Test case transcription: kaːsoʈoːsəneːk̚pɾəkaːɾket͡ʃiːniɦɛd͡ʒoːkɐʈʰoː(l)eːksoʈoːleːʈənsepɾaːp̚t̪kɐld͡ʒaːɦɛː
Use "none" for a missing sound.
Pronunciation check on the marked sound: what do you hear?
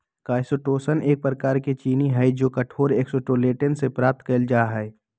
ɾ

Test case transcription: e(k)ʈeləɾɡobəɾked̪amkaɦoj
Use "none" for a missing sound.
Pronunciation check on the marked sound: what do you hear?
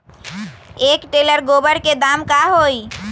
k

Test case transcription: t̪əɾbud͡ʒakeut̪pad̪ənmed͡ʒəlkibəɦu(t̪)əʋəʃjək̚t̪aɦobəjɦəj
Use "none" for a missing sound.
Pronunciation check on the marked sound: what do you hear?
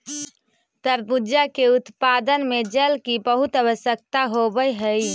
t̪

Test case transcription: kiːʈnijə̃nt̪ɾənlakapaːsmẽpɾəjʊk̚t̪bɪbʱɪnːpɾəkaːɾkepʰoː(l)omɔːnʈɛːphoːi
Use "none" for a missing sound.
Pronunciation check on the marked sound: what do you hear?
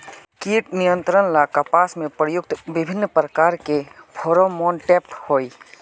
ɾ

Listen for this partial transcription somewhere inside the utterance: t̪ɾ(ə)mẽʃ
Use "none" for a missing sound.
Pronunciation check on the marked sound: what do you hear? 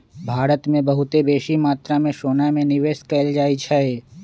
a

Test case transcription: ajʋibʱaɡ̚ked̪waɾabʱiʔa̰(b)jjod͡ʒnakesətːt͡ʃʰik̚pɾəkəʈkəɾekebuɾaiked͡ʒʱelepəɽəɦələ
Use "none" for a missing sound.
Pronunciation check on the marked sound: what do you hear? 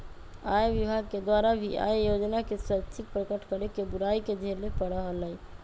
none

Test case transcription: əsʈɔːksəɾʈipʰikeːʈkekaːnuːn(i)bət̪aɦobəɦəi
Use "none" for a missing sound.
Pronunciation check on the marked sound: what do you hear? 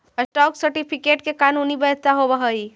i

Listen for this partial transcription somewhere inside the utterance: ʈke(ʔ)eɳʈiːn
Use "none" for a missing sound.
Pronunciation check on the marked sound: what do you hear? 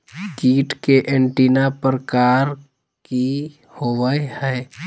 ʔ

